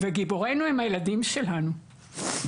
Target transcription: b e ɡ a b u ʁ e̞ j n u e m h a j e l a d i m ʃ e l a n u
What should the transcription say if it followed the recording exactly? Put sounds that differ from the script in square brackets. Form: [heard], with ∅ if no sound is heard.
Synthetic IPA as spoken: [v] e ɡ [i] b [o] ʁ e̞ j n u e m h a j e l a d i m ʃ e l a n u